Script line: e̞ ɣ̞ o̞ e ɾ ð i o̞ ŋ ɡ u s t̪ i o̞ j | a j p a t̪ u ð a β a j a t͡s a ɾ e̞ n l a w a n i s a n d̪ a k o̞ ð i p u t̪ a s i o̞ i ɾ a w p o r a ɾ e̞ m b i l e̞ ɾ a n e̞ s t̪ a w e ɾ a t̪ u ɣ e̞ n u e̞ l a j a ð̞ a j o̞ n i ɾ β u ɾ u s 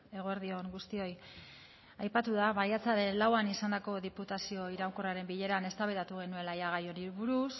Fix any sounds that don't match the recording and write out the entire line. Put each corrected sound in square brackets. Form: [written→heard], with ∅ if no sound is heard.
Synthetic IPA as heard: e̞ ɣ̞ o̞ e ɾ ð i o̞ ŋ ɡ u s t̪ i o̞ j | a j p a t̪ u ð a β a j a t͡s a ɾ e̞ n l a w a n i s a n d̪ a k o̞ ð i p u t̪ a s i o̞ i ɾ a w [p→k] o r a ɾ e̞ m b i [l→ʎ] e̞ ɾ a n e̞ s t̪ a [w→β] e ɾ a t̪ u ɣ e̞ n u e̞ l a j a [ð̞→ɣ̞] a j o̞ n i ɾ β u ɾ u s